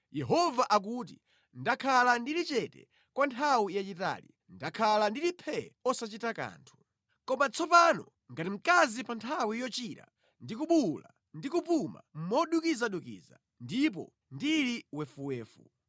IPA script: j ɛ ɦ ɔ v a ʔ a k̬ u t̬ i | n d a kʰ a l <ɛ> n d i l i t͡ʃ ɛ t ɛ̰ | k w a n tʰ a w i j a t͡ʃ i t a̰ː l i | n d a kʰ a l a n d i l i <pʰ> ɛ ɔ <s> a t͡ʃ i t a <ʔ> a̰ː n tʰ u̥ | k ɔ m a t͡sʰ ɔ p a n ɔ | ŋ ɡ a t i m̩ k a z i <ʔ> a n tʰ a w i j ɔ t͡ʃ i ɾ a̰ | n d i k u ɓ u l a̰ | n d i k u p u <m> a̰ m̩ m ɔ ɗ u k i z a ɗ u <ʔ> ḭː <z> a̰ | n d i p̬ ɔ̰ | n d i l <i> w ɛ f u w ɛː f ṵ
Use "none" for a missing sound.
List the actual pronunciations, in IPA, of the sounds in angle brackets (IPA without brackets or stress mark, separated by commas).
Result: a, pʰ, s, k, p, m, k, z, i